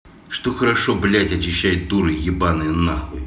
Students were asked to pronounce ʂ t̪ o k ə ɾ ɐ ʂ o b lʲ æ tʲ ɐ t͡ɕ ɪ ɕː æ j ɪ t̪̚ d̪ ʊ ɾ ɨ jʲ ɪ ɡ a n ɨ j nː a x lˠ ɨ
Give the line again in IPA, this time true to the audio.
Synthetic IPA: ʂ t̪ o x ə ɾ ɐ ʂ o b lʲ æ tʲ ɐ t͡ɕ ɪ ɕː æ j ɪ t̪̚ d̪ u ɾ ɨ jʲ ɪ b a n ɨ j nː a x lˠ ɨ